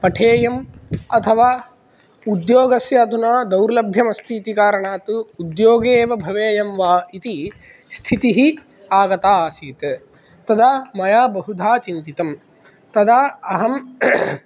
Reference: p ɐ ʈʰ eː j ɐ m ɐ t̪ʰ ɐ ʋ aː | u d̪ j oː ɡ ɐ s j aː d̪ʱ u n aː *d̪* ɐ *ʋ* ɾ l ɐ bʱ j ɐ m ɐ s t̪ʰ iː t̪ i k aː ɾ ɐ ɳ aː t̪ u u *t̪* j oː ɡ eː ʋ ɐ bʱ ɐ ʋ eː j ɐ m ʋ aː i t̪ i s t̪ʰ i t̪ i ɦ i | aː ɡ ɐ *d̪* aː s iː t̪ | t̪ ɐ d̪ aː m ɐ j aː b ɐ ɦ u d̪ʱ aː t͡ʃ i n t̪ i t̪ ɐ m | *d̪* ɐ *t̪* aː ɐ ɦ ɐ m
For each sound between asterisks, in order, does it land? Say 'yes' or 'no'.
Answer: yes, no, no, no, no, no

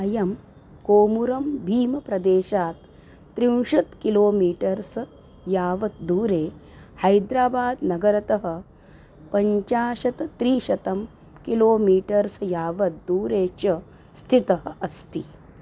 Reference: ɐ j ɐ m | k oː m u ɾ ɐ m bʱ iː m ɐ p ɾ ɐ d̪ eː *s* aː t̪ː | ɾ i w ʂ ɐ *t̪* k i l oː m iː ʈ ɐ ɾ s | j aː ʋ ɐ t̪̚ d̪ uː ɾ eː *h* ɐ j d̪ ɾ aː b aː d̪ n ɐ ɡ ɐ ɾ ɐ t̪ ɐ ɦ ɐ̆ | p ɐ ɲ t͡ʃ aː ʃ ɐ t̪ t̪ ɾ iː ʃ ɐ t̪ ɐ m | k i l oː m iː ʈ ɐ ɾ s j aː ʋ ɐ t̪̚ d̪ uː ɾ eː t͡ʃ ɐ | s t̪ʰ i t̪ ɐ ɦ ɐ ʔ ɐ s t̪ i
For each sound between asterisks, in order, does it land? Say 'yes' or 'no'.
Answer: no, yes, yes

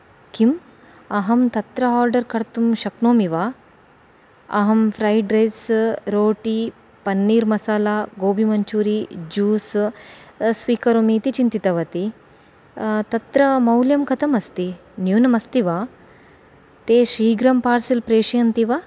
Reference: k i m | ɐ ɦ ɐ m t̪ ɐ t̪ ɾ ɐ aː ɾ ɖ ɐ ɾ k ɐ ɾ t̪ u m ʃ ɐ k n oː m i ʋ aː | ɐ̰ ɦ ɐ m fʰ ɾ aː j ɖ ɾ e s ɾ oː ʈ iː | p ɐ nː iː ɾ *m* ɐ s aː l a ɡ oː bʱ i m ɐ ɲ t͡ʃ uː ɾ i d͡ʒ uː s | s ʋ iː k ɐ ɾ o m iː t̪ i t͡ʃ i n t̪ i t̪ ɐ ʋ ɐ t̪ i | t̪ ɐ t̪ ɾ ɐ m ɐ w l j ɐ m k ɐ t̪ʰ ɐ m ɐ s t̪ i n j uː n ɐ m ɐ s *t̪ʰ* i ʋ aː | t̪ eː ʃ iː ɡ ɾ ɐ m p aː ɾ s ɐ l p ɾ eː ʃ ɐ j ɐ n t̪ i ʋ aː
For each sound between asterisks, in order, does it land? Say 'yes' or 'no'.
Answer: yes, no

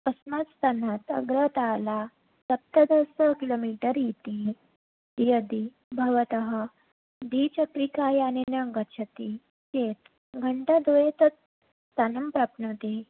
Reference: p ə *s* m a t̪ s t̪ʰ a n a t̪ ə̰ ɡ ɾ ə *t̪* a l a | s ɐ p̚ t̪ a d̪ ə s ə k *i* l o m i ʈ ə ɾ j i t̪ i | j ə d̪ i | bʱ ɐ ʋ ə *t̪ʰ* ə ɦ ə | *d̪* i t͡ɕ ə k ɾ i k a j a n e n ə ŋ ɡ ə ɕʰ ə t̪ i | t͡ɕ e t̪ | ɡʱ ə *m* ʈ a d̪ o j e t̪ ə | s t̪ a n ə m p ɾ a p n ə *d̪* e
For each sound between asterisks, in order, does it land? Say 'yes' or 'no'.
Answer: yes, yes, yes, no, yes, no, no

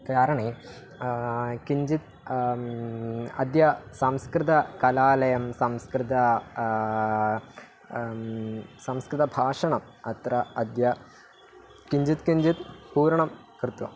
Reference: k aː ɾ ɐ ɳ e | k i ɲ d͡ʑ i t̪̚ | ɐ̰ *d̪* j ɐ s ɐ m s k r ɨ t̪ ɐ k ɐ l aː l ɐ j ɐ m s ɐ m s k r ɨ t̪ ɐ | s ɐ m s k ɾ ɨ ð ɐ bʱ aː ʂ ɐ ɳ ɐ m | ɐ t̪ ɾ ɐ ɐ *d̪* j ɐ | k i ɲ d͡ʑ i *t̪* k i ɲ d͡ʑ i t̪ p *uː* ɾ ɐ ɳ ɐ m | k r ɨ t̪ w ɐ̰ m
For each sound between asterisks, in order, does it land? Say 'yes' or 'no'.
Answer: yes, yes, yes, yes

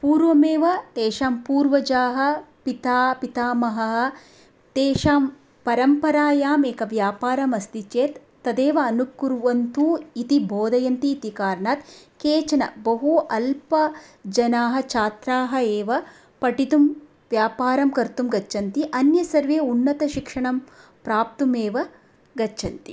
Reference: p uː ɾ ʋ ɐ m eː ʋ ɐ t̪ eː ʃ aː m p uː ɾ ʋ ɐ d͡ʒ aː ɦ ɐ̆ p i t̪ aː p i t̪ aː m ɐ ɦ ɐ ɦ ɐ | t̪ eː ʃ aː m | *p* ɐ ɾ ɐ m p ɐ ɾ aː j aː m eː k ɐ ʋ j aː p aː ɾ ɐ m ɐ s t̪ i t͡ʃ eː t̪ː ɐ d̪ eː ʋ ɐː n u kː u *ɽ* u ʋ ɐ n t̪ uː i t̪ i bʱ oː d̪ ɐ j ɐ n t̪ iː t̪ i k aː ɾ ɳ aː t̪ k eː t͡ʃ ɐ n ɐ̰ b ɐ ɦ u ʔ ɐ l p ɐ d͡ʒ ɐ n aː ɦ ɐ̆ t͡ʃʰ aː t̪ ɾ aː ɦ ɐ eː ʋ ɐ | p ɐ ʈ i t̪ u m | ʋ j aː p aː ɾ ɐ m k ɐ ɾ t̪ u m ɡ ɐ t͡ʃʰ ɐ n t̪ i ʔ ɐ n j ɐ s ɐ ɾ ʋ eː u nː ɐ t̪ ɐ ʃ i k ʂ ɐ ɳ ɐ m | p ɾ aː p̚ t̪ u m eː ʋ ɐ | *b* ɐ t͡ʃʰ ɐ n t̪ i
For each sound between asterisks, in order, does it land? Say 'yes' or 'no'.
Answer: yes, no, no

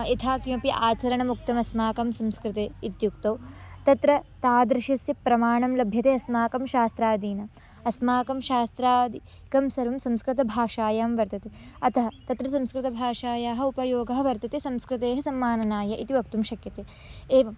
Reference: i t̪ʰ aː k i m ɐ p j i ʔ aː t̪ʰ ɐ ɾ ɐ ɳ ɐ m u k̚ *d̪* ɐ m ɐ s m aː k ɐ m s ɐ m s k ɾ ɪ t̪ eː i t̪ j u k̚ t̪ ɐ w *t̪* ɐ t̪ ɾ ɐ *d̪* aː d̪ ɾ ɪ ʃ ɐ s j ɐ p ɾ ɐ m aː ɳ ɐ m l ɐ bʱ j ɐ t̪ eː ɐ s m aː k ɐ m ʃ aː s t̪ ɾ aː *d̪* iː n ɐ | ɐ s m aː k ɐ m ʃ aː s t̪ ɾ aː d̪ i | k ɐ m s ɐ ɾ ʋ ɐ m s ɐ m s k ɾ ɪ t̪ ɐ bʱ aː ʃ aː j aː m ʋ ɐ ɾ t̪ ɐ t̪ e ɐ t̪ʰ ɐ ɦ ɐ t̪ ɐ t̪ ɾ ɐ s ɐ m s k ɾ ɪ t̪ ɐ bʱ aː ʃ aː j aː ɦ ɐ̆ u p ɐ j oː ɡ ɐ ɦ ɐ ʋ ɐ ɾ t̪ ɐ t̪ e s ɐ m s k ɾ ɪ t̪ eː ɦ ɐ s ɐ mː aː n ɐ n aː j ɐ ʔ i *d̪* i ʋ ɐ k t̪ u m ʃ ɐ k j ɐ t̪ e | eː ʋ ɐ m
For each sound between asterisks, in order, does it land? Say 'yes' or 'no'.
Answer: no, yes, no, yes, no

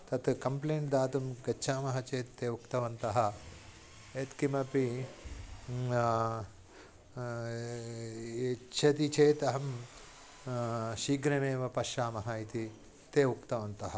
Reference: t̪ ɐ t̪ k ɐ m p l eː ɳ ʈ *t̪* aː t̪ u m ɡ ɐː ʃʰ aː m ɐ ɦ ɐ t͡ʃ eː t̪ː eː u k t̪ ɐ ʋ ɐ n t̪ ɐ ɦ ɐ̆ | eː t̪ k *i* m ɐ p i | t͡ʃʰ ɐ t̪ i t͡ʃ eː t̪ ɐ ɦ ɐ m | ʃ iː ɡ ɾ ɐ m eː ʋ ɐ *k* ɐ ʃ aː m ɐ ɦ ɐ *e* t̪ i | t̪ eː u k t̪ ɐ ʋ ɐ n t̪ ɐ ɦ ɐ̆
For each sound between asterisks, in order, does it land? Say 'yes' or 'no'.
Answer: no, yes, no, no

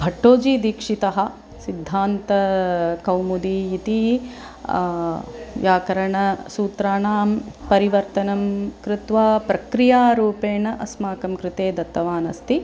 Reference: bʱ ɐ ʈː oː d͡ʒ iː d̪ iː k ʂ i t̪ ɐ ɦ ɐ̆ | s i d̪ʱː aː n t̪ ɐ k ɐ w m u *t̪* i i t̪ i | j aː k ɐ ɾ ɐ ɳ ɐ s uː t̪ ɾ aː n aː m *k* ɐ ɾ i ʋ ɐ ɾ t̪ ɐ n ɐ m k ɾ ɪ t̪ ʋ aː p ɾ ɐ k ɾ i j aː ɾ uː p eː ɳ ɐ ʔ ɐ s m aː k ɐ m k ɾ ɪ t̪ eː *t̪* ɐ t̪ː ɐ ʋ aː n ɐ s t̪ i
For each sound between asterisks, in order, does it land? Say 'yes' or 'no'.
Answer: no, no, no

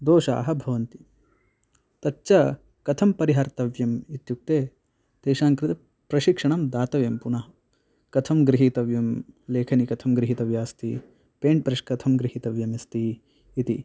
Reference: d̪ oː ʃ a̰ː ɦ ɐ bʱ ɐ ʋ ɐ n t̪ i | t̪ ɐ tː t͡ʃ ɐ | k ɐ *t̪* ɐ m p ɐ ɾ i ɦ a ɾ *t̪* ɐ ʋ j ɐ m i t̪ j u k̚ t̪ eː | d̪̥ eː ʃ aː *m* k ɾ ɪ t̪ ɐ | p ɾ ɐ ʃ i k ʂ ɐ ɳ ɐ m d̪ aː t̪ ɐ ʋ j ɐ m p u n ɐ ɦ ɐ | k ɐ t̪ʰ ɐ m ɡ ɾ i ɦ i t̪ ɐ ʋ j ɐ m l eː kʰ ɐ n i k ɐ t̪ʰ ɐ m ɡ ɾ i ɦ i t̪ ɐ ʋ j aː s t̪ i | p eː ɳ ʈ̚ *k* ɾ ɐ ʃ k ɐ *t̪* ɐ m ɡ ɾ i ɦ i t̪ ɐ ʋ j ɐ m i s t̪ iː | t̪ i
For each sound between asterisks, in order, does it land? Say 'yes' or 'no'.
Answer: no, yes, no, no, no

